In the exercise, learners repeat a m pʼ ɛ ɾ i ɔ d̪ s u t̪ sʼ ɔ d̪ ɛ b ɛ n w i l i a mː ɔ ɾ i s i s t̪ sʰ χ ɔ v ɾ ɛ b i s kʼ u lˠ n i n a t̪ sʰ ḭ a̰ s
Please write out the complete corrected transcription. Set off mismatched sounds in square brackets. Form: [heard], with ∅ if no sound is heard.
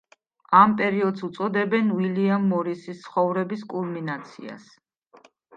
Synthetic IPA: a m pʼ ɛ ɾ i ɔ d̪ s u t̪ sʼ ɔ d̪ ɛ b ɛ n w i l i a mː ɔ ɾ i s i s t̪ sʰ χ ɔ v ɾ ɛ b i s kʼ u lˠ [m] i n a t̪ sʰ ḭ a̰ s